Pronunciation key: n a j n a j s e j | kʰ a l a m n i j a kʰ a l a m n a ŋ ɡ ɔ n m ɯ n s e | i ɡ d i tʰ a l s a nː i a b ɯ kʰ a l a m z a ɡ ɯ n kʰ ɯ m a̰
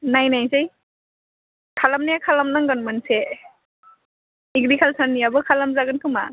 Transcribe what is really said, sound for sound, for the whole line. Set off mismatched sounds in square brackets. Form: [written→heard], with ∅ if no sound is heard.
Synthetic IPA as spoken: n a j n a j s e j | kʰ a l a m n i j a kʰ a l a m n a ŋ ɡ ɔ n m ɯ n s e | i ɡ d i [tʰ→kʰ] a l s a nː i a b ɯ kʰ a l a m z a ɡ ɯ n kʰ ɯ m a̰